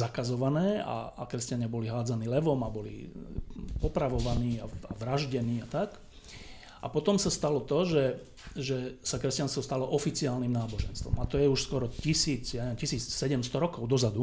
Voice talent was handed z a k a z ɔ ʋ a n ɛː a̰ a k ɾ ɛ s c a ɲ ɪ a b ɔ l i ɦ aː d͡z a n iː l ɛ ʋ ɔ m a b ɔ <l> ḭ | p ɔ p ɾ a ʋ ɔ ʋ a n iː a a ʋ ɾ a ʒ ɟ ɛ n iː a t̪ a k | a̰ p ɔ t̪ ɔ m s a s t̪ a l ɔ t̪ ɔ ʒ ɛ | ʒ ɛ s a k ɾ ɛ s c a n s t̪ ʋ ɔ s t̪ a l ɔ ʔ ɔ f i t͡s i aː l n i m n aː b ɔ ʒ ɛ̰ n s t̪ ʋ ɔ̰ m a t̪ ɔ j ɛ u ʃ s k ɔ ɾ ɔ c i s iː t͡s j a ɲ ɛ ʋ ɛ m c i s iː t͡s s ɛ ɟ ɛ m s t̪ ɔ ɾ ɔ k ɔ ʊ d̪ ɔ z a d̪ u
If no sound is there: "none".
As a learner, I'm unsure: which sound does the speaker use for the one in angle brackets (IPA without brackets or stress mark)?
l